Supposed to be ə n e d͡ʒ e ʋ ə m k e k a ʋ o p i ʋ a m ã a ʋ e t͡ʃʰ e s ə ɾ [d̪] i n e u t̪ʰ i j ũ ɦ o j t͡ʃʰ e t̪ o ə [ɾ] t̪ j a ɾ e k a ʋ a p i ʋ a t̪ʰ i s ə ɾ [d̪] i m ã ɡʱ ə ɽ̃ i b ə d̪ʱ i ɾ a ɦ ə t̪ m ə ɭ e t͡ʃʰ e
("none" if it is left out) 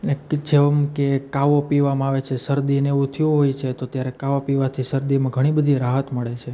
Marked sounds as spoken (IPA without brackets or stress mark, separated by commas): d̪, none, d̪